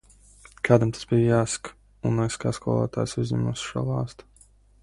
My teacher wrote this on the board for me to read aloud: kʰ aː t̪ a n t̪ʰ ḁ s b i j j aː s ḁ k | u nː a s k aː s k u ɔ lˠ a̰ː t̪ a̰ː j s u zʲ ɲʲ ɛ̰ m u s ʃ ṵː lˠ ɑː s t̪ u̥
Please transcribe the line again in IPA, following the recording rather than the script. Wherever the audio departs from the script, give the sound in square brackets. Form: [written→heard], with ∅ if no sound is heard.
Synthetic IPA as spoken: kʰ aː [t̪→d̪] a [n→m] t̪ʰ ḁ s b i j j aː s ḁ k | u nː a s k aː s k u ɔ lˠ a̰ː t̪ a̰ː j s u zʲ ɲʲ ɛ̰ m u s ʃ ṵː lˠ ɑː s t̪ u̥